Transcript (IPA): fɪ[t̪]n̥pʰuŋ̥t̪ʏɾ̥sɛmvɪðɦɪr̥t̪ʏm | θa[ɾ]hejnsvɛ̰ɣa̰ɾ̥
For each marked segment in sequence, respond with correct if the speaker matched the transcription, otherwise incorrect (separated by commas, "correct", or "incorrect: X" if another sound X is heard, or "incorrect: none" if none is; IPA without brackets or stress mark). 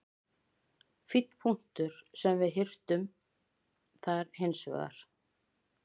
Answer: correct, correct